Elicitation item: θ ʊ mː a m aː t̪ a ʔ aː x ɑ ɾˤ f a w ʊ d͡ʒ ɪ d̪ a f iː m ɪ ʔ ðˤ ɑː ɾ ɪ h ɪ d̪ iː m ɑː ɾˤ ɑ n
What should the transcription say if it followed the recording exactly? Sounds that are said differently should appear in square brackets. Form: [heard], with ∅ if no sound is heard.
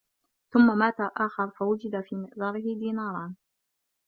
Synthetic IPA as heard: θ ʊ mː a m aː t̪ a ʔ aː x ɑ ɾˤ f a w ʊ d͡ʒ ɪ d̪ a f iː m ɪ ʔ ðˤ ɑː ɾ ɪ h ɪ d̪ iː [n] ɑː ɾˤ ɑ n